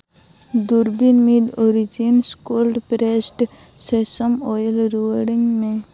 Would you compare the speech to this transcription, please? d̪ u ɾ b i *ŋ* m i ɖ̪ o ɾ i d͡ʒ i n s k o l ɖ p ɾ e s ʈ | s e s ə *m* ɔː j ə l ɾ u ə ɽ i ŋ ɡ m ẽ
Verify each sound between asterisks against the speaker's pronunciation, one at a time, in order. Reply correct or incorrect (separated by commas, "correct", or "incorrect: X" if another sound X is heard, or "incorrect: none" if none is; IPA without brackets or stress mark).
incorrect: n, correct